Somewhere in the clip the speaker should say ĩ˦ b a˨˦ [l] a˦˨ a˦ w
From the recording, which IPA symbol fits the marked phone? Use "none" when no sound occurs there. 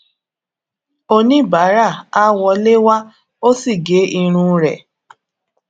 ɾ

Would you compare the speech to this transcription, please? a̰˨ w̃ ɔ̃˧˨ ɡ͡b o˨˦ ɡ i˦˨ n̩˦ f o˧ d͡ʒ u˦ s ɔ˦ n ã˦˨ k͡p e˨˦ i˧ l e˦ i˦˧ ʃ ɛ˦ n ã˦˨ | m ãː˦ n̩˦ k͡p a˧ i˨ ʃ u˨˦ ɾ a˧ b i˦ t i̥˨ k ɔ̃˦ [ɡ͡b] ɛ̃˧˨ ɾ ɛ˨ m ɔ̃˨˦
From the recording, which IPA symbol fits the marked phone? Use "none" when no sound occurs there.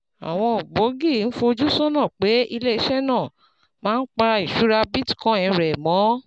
none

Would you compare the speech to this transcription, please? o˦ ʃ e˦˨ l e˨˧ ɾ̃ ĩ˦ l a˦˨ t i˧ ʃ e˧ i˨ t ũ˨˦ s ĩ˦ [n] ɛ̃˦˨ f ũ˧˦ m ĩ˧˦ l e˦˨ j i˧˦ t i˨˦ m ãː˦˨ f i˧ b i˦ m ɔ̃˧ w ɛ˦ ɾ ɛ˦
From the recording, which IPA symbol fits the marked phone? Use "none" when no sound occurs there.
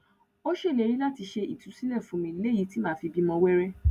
n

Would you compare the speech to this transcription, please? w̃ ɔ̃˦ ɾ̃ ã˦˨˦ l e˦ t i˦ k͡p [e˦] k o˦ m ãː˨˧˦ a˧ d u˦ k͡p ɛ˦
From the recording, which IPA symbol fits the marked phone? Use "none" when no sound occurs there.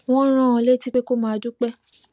e˦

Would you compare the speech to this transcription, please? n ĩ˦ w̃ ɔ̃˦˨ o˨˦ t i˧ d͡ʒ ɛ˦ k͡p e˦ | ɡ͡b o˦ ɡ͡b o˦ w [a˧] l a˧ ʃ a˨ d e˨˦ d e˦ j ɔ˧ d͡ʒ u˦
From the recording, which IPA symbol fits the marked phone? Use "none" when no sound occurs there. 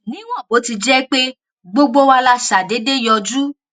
a˧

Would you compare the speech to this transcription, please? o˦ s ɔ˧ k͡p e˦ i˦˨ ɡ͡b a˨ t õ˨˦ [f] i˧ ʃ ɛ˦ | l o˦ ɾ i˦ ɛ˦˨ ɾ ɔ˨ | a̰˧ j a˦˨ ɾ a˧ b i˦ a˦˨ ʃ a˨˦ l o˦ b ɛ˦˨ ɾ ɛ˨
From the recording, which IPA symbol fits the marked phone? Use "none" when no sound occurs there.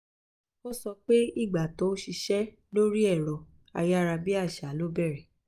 ʃ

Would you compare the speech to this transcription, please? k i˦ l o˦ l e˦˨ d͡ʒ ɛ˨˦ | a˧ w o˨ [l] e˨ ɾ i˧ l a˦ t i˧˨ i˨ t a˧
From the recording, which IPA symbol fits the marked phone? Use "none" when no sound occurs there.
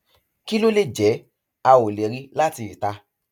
l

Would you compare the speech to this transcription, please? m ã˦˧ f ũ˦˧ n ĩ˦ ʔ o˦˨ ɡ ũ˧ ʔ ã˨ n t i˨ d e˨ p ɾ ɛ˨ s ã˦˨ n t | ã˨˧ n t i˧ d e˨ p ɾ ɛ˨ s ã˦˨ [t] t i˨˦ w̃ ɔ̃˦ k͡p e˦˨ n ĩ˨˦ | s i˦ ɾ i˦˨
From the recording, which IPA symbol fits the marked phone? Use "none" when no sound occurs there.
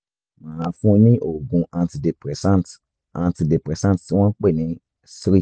t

